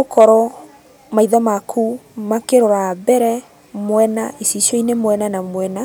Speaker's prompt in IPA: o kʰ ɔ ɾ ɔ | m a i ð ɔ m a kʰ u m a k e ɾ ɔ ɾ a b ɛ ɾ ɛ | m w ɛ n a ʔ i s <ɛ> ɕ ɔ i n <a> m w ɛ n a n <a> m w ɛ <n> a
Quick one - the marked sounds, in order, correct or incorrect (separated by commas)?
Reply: incorrect, incorrect, correct, correct